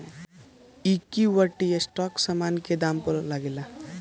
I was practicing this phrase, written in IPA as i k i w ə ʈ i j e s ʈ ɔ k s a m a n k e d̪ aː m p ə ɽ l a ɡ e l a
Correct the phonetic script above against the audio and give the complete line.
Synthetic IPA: i k i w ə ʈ i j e s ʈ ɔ k s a m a n k e d̪ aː m p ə ɾ l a ɡ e l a